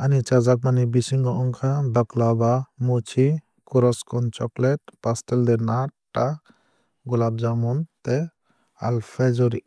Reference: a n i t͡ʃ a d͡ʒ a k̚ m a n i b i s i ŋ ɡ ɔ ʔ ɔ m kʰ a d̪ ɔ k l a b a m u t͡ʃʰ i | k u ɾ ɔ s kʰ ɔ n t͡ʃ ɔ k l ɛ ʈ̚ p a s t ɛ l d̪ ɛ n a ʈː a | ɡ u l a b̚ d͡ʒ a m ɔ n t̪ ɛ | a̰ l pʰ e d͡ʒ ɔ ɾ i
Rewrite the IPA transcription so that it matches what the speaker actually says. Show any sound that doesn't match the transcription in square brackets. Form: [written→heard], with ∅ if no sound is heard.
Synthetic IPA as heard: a n i t͡ʃ a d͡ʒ a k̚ m a n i b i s i ŋ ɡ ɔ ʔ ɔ [m→ŋ] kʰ a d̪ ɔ k l a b a m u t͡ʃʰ i | k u ɾ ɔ s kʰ ɔ n t͡ʃ ɔ k l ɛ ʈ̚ p a s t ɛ l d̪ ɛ n a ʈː a | ɡ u l a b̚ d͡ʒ a m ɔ n t̪ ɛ | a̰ l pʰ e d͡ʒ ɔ ɾ i